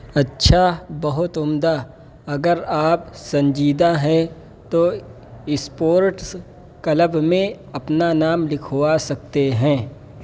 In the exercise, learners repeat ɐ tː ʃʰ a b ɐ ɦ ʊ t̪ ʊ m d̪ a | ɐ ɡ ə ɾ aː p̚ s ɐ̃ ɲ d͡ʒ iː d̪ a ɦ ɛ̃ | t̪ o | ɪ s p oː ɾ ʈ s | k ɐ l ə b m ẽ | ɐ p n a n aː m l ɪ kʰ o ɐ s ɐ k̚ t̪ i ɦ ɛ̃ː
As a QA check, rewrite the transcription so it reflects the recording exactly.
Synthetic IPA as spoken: ɐ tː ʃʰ a b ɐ ɦ ʊ t̪ ʊ m d̪ a | ɐ ɡ ə ɾ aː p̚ s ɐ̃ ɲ d͡ʒ iː d̪ a ɦ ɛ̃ | t̪ o | ɪ s p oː ɾ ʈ s | k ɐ l ə b m ẽ | ɐ p n a n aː m l ɪ kʰ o a s ɐ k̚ t̪ e ɦ ɛ̃ː